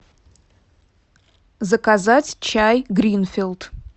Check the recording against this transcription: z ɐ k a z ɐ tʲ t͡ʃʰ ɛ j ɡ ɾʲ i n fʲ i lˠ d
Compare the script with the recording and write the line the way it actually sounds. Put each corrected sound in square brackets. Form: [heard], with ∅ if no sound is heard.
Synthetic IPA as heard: z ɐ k a z [a] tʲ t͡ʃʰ [a] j ɡ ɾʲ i n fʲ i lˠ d